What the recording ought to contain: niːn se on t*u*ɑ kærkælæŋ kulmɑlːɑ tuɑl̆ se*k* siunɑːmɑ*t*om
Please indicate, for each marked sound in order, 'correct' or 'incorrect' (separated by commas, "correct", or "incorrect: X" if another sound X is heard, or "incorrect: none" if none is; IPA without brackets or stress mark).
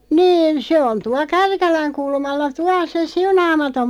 correct, incorrect: none, correct